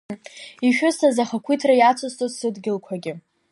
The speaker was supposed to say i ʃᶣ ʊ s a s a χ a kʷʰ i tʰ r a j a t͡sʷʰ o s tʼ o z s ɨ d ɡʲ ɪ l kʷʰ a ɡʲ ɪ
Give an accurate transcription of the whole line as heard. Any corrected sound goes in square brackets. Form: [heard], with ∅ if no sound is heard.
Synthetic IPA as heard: i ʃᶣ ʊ s a [z] a χ a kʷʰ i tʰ r a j a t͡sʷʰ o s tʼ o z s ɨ d ɡʲ ɪ l kʷʰ a ɡʲ ɪ